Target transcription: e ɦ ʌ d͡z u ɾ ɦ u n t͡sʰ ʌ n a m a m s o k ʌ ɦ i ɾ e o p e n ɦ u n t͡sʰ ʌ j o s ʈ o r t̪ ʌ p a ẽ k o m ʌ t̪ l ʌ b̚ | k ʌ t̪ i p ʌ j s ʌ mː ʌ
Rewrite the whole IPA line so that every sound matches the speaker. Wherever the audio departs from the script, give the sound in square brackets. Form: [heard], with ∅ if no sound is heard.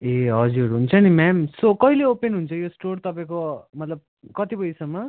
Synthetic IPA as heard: e ɦ ʌ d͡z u ɾ ɦ u n t͡sʰ ʌ n [i] m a m s o k ʌ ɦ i [l] e o p e n ɦ u n t͡sʰ ʌ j o s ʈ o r t̪ ʌ p a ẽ k o m ʌ t̪ l ʌ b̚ | k ʌ t̪ i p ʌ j s ʌ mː ʌ